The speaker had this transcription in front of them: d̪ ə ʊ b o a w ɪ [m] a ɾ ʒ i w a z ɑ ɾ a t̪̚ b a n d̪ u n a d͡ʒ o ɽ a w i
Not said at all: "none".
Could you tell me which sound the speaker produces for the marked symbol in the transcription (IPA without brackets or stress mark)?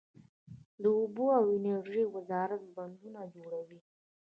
n